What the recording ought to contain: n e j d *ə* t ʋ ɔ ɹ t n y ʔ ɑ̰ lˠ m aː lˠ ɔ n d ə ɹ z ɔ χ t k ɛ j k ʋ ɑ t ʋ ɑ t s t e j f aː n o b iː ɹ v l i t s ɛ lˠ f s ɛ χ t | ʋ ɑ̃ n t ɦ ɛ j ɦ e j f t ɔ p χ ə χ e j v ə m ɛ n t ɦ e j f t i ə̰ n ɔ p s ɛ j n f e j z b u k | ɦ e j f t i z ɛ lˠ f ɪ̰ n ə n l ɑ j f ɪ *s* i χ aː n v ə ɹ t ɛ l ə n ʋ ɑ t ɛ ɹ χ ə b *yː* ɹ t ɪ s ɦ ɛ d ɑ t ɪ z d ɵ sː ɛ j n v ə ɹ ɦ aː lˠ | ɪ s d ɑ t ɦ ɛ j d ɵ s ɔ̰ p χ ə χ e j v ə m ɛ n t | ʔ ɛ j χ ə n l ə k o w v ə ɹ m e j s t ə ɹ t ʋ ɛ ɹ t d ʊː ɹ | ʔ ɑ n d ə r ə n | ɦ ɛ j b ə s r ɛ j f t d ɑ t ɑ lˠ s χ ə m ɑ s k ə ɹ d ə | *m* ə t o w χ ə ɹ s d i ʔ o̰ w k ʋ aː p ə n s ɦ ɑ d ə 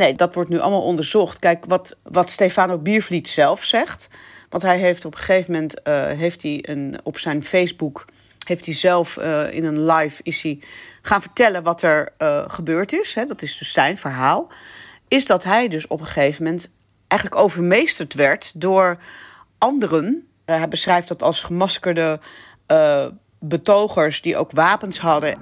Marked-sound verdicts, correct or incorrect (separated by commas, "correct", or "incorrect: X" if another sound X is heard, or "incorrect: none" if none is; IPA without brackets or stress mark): incorrect: ɑ, correct, incorrect: øː, incorrect: b